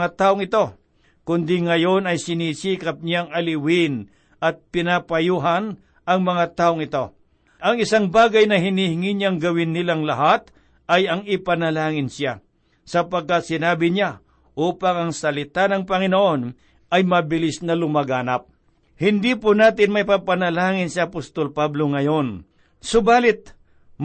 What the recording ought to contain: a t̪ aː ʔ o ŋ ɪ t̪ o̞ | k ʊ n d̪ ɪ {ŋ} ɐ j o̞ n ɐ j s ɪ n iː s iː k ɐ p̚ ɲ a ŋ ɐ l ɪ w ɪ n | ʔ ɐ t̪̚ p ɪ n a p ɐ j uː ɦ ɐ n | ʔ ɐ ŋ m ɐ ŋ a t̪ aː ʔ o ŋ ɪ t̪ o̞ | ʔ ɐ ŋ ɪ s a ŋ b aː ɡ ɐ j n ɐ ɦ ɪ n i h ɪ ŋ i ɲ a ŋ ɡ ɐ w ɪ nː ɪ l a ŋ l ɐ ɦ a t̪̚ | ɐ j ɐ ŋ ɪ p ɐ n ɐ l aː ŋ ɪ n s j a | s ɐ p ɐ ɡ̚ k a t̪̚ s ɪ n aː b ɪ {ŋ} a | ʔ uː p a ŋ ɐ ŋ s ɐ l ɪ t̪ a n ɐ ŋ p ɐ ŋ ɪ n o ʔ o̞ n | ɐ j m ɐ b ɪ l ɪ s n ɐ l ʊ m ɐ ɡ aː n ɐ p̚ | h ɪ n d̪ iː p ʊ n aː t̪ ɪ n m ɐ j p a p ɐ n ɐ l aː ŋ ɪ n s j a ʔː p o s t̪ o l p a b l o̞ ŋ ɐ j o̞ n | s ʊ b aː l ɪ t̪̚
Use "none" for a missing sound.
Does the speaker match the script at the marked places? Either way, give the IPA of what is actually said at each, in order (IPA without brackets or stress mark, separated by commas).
ŋ, ɲ